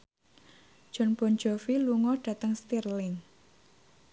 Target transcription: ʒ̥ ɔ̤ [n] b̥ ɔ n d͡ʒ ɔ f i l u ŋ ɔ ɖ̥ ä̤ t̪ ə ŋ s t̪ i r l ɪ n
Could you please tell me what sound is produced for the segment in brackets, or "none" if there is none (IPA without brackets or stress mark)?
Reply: n